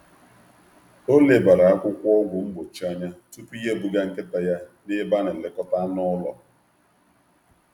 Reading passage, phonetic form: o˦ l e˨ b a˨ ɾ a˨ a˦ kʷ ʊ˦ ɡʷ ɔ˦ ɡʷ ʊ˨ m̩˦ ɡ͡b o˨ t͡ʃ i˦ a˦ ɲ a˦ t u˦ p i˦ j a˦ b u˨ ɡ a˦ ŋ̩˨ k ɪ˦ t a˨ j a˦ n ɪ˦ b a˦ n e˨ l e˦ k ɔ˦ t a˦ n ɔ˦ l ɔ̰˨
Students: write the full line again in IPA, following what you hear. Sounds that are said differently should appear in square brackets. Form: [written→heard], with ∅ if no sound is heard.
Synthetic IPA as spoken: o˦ l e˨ b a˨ ɾ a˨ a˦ kʷ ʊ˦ [ɡʷ→kʷ] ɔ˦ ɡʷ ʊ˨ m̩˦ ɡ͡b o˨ t͡ʃ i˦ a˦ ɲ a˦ t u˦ p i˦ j [a˦→e˦] b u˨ ɡ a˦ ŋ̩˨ k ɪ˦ t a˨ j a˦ n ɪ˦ b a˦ n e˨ l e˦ k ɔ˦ t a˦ n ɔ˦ l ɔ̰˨